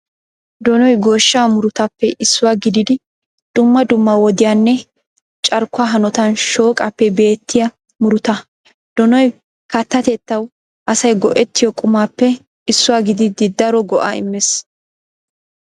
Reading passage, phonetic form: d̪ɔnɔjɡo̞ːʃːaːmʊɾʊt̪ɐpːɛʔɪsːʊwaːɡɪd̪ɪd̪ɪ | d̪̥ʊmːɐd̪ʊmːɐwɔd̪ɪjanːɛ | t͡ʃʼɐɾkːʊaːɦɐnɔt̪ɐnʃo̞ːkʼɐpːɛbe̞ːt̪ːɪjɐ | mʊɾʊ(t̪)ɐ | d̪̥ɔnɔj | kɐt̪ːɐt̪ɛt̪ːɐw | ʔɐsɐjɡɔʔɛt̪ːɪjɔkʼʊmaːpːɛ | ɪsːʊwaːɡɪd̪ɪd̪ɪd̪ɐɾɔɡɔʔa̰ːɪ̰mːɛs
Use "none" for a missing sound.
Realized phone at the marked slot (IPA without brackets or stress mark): t̪